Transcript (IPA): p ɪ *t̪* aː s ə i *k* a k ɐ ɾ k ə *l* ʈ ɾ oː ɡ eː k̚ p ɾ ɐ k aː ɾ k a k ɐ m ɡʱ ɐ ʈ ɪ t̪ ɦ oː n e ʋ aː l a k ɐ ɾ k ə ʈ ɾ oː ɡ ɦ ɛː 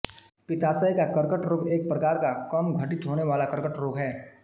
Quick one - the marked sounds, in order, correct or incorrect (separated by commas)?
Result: correct, correct, incorrect